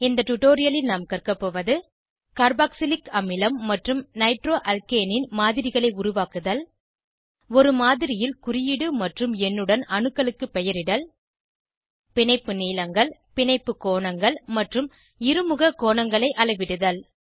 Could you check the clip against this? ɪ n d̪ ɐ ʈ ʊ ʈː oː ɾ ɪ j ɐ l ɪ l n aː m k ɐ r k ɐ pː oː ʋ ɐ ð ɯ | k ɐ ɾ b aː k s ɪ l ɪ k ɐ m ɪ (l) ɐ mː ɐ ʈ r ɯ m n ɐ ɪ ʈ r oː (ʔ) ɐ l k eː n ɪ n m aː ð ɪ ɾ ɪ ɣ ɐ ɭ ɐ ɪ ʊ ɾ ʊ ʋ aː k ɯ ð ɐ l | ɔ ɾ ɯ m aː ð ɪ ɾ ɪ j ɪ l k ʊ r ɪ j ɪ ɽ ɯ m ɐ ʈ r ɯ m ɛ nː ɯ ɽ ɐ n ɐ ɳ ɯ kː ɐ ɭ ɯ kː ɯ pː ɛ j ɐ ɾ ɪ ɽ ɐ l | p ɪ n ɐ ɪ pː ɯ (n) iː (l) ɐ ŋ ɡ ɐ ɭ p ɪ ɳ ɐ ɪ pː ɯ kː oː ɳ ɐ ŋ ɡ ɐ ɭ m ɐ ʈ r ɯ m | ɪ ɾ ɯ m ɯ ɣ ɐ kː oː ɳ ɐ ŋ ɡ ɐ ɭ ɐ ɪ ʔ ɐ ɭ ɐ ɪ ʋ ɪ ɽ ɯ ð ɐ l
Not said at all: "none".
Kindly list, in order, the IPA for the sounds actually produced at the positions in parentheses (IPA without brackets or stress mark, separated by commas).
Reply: l, ʔ, n, l